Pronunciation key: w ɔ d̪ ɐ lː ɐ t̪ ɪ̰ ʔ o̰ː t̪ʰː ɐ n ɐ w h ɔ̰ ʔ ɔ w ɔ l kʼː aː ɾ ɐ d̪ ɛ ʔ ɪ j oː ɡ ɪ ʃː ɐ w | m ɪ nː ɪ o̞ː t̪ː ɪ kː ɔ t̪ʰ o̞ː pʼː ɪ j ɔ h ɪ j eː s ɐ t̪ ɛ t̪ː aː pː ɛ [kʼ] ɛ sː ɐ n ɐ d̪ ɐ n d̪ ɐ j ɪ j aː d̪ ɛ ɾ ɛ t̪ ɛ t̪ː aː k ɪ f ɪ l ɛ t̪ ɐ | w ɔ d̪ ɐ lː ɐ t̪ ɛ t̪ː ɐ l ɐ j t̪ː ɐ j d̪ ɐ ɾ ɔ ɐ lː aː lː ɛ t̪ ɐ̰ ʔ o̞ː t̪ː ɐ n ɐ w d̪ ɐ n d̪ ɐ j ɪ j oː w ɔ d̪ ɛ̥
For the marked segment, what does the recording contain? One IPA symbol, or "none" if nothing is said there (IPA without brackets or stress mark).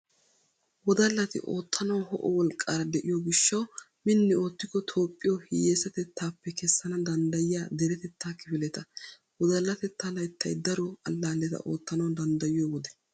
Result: k